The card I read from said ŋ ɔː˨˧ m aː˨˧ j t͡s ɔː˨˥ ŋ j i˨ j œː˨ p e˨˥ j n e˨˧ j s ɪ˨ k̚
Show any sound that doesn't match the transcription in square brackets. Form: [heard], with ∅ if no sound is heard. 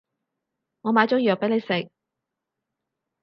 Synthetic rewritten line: ŋ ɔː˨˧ m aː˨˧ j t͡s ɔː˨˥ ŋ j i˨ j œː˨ p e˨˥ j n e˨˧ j s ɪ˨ k̚